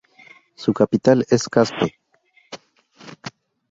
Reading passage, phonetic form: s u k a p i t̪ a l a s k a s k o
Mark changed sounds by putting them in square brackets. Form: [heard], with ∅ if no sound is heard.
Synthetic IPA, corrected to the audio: s u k a p i t̪ a l [e] s k a s [p] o